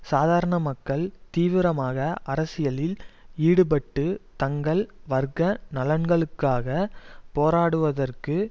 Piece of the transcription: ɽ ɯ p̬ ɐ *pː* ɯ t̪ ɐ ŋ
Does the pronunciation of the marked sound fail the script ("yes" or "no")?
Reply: yes